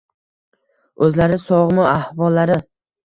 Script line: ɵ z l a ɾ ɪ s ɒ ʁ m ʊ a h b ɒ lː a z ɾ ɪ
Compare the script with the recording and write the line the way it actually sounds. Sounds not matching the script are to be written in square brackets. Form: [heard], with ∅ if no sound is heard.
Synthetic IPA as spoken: ɵ z l a ɾ ɪ s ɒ ʁ m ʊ a h [v] ɒ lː a [∅] ɾ ɪ